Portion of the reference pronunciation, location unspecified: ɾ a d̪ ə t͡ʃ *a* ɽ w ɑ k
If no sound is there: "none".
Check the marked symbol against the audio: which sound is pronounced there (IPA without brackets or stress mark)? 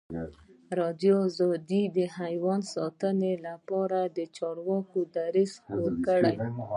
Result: ɑ